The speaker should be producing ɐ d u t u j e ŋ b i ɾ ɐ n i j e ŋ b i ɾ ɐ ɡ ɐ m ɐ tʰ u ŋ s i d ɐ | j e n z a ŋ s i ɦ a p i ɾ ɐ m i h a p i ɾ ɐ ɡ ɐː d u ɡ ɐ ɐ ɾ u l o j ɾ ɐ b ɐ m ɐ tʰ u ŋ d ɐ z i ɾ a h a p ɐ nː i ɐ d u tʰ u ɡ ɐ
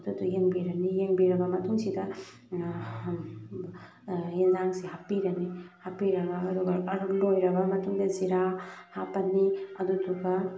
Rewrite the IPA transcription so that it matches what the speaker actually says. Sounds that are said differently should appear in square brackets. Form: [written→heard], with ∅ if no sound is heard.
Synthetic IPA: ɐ d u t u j e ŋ b i ɾ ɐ n i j e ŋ b i ɾ ɐ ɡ ɐ m ɐ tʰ u ŋ s i d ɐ | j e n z a ŋ s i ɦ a p i ɾ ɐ [m→n] i h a p i ɾ ɐ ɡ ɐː d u ɡ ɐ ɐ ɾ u l o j ɾ ɐ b ɐ m ɐ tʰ u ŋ d ɐ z i ɾ a h a p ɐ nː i ɐ d u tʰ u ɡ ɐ